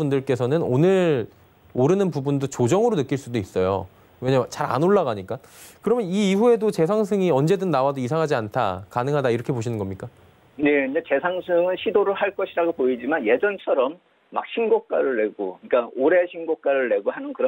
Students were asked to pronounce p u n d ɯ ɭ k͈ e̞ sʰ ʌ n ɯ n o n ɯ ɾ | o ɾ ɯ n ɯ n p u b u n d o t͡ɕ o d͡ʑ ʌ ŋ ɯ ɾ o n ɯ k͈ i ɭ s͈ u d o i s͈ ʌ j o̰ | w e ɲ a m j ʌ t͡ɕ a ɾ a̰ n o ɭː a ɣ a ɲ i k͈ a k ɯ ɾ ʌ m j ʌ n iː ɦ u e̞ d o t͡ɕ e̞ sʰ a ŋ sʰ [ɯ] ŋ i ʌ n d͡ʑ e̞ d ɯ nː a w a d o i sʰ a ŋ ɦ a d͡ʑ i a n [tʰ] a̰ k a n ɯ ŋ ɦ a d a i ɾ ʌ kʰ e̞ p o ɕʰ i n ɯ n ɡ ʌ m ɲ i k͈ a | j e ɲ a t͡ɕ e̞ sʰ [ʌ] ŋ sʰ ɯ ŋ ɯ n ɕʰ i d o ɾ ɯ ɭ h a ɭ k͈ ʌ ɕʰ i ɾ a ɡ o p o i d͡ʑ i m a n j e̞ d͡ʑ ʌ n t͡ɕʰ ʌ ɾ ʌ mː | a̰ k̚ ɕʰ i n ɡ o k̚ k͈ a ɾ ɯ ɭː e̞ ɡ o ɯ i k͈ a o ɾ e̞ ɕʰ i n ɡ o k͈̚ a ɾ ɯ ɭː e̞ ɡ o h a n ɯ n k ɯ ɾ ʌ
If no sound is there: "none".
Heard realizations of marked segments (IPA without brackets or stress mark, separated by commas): ɯ, tʰ, a